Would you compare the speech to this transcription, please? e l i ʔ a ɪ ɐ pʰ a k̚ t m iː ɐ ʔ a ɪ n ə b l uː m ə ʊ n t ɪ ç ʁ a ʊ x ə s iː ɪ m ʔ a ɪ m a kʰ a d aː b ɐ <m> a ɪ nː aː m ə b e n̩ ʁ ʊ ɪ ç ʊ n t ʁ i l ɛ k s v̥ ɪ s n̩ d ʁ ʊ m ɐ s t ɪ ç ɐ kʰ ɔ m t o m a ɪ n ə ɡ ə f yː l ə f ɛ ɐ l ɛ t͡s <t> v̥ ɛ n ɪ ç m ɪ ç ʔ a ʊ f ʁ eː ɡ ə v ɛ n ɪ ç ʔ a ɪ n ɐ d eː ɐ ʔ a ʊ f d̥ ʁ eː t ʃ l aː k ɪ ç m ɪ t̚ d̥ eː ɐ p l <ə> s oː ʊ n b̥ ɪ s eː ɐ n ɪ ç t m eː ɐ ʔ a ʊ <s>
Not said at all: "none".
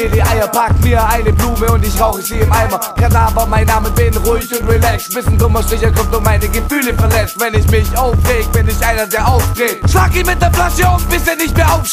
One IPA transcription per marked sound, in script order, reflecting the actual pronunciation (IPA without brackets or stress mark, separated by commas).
m, t, a, f